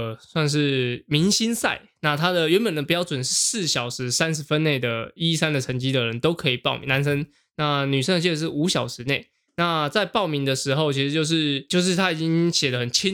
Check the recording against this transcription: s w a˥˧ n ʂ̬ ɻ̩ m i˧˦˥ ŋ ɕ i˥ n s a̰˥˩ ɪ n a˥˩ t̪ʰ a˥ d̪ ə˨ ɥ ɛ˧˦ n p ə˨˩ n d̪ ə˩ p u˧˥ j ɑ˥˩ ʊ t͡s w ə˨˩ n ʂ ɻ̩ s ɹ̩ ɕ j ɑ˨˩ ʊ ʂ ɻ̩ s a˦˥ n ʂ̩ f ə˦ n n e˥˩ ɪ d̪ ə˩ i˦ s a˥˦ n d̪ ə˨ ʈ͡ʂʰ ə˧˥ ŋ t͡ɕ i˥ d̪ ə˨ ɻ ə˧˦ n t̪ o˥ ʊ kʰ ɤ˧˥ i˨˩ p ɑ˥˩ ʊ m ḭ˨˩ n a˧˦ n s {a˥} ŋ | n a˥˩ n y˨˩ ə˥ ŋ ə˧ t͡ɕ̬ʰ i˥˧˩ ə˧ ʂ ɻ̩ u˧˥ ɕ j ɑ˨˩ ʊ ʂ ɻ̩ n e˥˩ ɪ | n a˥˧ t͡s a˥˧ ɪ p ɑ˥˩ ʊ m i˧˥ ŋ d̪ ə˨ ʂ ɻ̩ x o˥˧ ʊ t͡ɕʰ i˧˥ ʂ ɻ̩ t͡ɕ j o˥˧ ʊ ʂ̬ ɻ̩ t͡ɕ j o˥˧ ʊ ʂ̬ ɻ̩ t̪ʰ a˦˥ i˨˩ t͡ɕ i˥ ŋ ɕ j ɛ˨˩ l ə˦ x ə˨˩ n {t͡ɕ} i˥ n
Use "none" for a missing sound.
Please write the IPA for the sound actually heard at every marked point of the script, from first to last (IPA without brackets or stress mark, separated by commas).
ə˥, t͡ɕʰ